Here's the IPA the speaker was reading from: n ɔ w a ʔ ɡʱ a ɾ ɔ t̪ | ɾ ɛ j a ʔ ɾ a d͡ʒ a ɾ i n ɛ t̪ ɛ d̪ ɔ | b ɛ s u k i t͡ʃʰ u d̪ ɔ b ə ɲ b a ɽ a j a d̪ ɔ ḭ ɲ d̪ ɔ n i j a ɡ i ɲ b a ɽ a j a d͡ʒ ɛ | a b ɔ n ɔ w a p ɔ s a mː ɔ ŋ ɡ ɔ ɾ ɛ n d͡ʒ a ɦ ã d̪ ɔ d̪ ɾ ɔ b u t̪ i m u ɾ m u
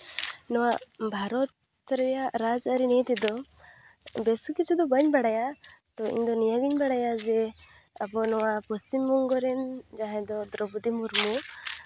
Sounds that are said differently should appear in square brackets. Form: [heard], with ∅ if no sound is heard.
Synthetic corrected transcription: n ɔ w a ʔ [bʱ] a ɾ ɔ t̪ | ɾ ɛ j a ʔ ɾ a d͡ʒ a ɾ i n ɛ t̪ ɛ d̪ ɔ | b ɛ s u k i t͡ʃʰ u d̪ ɔ b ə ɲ b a ɽ a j a [t̪] ɔ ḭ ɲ d̪ ɔ n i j a ɡ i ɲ b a ɽ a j a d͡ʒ ɛ | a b ɔ n ɔ w a p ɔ s [i] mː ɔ ŋ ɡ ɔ ɾ ɛ n d͡ʒ a ɦ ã d̪ ɔ d̪ ɾ ɔ b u [d̪] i m u ɾ m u